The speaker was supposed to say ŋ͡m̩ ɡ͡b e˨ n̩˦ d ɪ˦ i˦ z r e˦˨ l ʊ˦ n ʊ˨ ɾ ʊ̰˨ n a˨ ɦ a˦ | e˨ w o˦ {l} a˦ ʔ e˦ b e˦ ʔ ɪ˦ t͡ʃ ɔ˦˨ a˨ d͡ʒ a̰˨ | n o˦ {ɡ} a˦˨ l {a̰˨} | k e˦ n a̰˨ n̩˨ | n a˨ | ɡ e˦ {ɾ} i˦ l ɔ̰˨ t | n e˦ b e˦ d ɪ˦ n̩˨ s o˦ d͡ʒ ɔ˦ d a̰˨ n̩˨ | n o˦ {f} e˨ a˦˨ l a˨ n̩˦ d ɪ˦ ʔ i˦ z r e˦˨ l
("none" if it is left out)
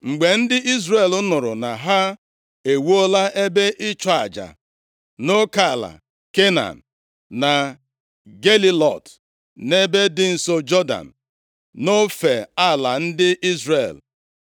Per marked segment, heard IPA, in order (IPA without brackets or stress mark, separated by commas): l, k, a̰˨, l, f